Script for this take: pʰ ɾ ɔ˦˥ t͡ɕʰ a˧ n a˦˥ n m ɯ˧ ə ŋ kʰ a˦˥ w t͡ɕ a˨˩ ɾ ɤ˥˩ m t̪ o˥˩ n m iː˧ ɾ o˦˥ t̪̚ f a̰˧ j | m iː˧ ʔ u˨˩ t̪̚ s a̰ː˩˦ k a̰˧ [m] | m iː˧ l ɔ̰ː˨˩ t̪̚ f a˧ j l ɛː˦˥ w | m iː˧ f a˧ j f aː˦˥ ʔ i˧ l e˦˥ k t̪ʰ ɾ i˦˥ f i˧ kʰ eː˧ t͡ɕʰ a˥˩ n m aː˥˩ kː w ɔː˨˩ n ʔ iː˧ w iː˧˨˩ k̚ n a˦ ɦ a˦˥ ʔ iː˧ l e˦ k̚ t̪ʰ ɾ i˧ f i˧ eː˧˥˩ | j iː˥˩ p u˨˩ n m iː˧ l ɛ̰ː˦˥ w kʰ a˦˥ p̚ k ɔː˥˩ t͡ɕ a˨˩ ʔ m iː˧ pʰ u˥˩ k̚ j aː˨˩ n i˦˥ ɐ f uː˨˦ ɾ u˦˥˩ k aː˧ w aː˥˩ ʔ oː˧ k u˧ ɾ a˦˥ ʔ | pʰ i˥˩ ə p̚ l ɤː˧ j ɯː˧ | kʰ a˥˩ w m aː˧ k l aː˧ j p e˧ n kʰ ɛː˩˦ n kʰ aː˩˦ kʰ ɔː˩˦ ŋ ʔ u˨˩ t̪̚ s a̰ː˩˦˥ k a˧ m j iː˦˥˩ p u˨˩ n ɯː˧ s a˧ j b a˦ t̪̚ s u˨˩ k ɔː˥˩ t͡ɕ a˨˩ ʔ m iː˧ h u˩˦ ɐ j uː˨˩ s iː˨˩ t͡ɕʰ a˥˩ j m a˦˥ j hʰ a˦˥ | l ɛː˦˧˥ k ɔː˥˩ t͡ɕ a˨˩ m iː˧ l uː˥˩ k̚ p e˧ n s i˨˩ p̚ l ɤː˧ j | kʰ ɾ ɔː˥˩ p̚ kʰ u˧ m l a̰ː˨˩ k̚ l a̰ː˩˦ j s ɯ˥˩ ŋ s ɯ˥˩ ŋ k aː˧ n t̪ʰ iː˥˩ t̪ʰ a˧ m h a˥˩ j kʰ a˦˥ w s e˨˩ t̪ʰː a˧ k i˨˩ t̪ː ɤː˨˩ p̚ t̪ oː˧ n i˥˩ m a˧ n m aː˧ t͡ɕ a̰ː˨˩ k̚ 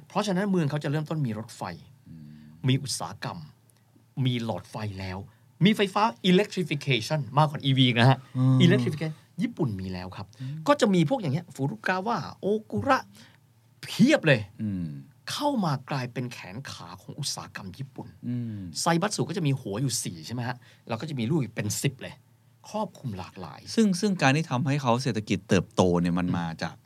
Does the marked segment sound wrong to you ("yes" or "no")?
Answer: no